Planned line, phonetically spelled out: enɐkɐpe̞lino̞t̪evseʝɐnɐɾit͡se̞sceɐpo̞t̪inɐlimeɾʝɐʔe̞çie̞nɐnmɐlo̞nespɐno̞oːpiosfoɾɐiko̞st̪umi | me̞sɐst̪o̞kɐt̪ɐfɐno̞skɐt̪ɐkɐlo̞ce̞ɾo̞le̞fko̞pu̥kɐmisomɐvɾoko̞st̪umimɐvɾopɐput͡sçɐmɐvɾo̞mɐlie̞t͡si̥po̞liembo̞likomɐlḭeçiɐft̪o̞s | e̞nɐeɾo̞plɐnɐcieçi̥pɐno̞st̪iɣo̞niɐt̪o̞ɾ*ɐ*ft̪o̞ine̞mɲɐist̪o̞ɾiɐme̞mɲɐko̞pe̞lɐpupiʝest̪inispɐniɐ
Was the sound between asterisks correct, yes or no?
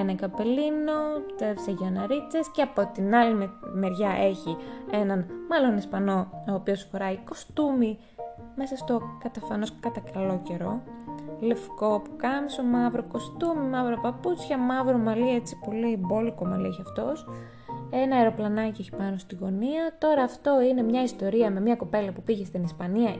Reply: no